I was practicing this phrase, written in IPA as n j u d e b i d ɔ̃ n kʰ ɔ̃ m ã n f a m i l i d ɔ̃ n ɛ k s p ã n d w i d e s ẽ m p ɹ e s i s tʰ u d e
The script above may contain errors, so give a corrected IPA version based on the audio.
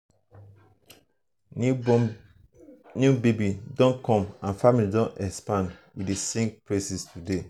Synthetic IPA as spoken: n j u b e b i d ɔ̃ n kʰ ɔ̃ m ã n f a m i l i d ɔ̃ n ɛ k s p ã n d w i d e s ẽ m p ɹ e s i s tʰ u d e

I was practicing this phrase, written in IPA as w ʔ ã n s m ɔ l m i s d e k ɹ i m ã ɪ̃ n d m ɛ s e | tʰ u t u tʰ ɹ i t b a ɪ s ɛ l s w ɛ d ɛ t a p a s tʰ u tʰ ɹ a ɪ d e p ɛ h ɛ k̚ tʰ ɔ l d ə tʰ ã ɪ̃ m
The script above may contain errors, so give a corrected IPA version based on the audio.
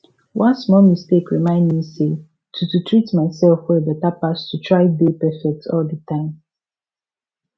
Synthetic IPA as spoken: w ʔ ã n s m ɔ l m i s t e k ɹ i m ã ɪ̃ n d m i s e | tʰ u t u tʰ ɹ i t m a ɪ s ɛ l f w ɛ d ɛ t a p a s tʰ u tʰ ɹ a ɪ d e p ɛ f ɛ k̚ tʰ ɔ l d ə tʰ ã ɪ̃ m

